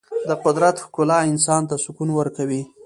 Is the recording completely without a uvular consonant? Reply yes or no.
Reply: no